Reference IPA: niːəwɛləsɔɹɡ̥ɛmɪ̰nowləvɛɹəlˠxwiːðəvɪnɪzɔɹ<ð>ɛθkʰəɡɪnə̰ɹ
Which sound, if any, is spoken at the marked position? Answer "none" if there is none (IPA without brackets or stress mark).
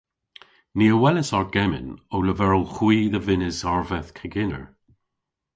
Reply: v